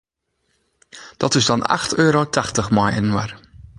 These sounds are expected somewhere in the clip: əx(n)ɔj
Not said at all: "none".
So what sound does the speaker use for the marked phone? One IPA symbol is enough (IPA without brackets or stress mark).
m